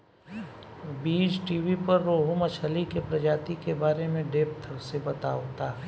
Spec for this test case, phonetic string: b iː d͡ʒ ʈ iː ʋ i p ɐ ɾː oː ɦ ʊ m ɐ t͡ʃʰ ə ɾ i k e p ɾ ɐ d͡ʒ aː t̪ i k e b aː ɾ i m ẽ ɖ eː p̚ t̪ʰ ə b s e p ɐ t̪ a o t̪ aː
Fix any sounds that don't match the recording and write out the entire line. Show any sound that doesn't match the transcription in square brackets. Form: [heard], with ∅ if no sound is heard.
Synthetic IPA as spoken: b iː d͡ʒ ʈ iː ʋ i p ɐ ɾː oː ɦ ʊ m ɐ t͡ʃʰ ə [l] i k e p ɾ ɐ d͡ʒ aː t̪ i k e b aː ɾ [e] m ẽ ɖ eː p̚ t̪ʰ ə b s e [b] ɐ t̪ a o t̪ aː

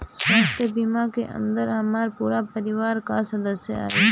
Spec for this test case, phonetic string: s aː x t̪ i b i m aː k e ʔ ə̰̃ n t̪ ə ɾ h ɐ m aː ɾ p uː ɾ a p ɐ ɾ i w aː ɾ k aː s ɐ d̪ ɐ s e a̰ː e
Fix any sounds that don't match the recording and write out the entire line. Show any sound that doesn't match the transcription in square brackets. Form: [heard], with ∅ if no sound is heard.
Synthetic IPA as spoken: s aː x t̪ [e] b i m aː k e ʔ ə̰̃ n [d̪] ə ɾ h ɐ m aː ɾ p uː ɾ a p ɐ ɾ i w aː ɾ k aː s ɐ d̪ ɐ s e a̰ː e

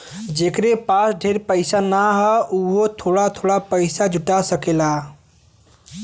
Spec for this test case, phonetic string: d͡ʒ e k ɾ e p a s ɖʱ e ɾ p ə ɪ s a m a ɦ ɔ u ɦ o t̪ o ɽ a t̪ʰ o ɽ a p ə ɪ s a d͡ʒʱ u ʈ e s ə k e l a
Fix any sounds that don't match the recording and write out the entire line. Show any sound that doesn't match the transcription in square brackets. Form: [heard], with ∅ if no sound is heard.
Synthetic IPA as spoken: d͡ʒ e k ɾ e p a s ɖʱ e ɾ p ə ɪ s a [n] a ɦ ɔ u ɦ o [t̪ʰ] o ɽ a t̪ʰ o ɽ a p ə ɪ s a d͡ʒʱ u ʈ [a] s ə k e l a

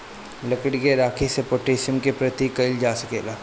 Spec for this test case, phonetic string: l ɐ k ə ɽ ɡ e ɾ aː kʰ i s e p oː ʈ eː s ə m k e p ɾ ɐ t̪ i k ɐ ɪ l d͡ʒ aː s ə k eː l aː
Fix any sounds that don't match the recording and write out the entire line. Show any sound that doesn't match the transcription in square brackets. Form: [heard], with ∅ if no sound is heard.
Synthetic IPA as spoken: l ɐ k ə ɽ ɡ e ɾ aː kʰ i s e p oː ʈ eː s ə m k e p ɾ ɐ t̪ i k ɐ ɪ l d͡ʒ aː s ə k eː l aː

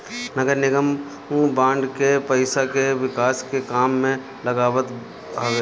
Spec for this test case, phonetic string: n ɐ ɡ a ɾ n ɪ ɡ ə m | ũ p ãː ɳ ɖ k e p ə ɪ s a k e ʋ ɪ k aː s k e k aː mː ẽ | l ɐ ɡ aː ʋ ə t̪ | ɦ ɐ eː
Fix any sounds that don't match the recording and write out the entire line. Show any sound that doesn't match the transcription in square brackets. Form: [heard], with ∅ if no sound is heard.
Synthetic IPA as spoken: n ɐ ɡ [ə] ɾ n ɪ ɡ ə m | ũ [b] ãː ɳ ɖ k e p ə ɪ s a k e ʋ ɪ k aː s k e k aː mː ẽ | l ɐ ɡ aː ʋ ə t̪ | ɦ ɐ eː

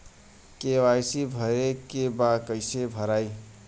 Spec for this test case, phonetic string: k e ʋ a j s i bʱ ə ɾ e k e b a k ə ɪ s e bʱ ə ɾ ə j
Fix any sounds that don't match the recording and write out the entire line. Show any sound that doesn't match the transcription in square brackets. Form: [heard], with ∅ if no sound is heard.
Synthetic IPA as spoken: k e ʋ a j s i bʱ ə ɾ e k e b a k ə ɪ s e bʱ ə ɾ [a] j

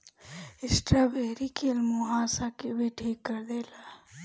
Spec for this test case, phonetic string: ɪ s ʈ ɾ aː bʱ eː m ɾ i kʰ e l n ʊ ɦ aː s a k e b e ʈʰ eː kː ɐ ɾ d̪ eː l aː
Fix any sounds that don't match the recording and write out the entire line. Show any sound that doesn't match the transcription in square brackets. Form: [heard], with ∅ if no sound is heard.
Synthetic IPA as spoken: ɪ s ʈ ɾ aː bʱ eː [∅] ɾ i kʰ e l [m] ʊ ɦ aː s a k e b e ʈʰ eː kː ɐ ɾ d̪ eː l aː

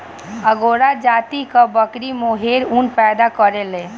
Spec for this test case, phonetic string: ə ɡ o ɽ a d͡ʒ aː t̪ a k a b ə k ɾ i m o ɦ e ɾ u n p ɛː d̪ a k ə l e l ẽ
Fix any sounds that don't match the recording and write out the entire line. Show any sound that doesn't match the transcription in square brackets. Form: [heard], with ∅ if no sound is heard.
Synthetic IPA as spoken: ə ɡ o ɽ a d͡ʒ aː t̪ [i] k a b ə k ɾ i m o ɦ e ɾ u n p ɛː d̪ a k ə [ɾ] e l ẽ

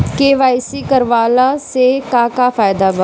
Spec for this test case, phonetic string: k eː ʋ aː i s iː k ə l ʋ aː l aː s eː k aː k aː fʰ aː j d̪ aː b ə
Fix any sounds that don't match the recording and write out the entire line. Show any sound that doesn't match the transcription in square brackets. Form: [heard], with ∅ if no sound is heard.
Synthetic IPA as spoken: k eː ʋ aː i s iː k ə [ɾ] ʋ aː l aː s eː k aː k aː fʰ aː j d̪ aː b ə

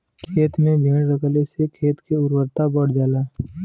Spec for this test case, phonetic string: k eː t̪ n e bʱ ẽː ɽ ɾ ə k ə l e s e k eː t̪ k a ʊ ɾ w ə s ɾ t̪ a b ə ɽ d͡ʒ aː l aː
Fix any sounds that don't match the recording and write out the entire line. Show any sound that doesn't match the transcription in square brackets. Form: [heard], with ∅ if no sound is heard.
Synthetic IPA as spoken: [kʰ] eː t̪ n e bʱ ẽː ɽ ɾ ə k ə l e s e [kʰ] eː t̪ k [e] ʊ ɾ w ə [∅] ɾ t̪ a b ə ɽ d͡ʒ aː l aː

